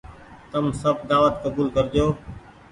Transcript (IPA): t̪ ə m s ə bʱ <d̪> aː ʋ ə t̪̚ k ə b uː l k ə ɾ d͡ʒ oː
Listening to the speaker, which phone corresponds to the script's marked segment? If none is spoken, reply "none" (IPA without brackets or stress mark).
d̪